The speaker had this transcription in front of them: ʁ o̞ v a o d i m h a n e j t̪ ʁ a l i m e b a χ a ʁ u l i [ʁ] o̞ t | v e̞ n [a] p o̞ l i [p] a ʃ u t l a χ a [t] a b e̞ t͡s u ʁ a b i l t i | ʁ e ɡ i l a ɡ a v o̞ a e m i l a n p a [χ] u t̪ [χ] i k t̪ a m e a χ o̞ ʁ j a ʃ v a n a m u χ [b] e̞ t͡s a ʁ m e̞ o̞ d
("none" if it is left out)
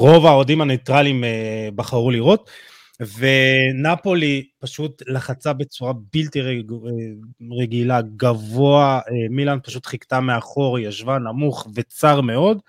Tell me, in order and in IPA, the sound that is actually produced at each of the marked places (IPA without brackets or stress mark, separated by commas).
ʁ, a, p, t͡s, ʃ, χ, v